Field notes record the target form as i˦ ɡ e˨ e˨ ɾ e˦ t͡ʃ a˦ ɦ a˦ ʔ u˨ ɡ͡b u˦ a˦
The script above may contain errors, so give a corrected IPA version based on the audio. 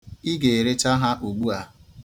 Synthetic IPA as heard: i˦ ɡ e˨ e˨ ɾ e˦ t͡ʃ a˦ ɦ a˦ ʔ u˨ ɡ͡b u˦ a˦